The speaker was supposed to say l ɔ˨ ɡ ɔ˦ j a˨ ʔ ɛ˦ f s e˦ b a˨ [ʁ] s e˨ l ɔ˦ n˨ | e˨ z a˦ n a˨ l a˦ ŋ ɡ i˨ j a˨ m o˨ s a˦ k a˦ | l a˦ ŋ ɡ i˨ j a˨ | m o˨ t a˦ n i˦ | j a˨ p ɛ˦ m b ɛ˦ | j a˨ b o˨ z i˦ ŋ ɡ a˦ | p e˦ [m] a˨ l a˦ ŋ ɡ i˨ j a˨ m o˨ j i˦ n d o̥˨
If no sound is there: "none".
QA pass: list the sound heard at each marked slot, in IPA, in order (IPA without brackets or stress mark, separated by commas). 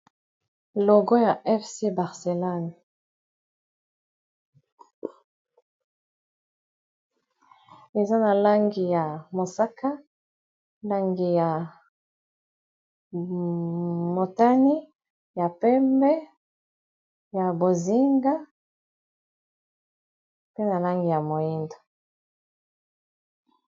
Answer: ʁ, n